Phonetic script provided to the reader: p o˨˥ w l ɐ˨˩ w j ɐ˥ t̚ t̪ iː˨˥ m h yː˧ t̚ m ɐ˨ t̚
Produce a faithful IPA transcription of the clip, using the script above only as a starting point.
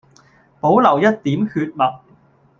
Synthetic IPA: p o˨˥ w l ɐ˨˩ w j ɐ˥ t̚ t̪ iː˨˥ m h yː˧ t̚ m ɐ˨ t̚